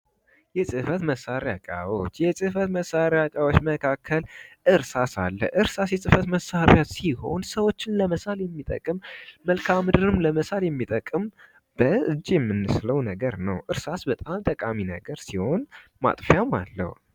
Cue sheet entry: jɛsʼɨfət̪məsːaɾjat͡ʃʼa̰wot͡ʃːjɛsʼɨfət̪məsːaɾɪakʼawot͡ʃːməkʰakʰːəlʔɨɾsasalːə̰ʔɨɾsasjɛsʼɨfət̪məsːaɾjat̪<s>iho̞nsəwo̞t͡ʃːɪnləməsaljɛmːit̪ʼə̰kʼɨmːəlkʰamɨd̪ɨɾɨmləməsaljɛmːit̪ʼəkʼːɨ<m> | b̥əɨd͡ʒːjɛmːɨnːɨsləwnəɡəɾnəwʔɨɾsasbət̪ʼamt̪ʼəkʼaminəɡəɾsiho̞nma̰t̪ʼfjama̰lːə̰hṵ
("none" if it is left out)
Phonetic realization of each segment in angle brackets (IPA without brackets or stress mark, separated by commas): s, m